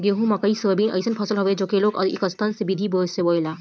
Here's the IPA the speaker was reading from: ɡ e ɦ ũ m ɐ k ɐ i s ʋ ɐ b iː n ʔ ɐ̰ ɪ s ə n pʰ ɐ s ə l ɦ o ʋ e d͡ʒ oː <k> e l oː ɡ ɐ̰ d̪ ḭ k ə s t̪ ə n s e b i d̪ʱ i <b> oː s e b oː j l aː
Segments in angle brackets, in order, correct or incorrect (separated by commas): correct, correct